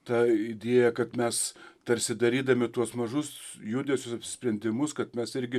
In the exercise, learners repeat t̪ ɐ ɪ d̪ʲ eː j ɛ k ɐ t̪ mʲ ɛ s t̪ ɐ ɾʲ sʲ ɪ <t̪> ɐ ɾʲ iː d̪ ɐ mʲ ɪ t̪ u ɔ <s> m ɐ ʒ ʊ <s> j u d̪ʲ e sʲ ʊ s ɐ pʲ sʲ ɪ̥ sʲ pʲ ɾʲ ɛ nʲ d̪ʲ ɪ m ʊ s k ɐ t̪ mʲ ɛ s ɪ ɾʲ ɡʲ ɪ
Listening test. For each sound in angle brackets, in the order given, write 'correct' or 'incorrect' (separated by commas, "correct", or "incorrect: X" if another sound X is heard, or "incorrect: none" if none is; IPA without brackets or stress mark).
incorrect: d̪, correct, correct